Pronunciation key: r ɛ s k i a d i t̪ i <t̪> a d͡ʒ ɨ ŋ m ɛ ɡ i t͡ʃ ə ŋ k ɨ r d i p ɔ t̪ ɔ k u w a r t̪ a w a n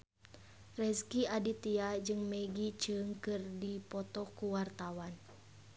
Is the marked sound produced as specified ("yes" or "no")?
no